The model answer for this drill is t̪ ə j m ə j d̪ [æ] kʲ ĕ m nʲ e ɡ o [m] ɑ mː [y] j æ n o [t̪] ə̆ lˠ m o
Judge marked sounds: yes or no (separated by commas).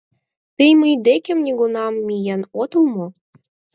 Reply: no, no, no, yes